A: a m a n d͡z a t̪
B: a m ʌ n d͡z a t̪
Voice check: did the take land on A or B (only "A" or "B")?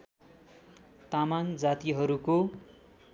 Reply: A